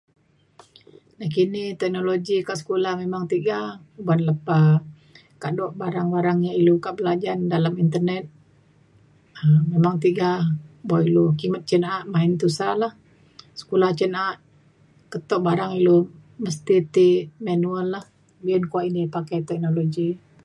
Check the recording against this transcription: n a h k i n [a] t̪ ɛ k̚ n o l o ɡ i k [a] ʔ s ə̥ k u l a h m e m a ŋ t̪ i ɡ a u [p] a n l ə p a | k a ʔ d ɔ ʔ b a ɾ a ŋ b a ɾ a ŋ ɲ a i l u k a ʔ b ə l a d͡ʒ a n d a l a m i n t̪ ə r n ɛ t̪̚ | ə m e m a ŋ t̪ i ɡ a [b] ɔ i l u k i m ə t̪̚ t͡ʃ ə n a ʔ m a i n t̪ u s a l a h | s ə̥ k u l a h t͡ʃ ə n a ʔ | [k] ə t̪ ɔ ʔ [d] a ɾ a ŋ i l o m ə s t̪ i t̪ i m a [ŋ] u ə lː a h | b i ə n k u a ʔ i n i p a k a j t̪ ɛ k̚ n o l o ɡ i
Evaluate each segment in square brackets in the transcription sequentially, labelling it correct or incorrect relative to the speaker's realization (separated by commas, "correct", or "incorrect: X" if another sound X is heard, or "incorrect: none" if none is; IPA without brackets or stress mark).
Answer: incorrect: i, correct, incorrect: b, correct, correct, incorrect: b, incorrect: n